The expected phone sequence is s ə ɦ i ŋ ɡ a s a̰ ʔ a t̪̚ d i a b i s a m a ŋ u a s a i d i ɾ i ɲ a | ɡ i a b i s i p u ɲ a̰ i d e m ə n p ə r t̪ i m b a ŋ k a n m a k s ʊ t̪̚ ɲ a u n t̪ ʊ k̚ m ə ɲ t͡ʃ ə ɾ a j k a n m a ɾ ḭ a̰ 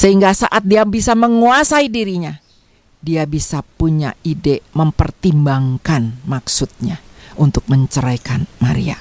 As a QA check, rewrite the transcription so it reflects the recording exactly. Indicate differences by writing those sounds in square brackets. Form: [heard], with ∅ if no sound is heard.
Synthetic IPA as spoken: s ə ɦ i ŋ ɡ a s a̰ ʔ a t̪̚ d i a b i s a m [ə] ŋ u a s a i d i ɾ i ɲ a | [d] i a b i s [a] p u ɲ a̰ i d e m ə [m] p ə r t̪ i m b a ŋ k a n m a k s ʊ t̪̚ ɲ a u n t̪ ʊ k̚ m ə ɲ t͡ʃ ə ɾ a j k a n m a ɾ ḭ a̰